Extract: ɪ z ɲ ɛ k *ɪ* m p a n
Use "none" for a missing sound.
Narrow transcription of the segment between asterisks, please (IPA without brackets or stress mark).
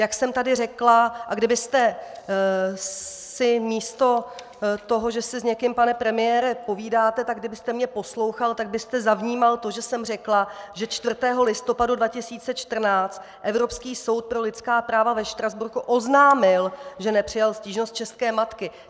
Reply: ɪ